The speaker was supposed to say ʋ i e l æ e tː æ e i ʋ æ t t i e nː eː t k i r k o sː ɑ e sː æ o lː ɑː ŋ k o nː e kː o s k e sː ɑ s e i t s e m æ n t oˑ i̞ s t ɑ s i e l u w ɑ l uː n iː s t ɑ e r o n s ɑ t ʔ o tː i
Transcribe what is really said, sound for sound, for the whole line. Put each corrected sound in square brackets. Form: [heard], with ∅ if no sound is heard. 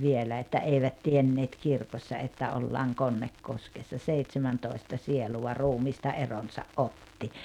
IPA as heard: ʋ i e l æ e tː æ e i ʋ æ t t i e nː eː t k i r k o sː ɑ e [tː] æ o lː ɑː ŋ k o nː e kː o s k e sː ɑ s e i t s e m æ n t oˑ i̞ s t ɑ s i e l u w ɑ [r] uː [m] iː s t ɑ e r o n s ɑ [ʔ] ʔ o tː i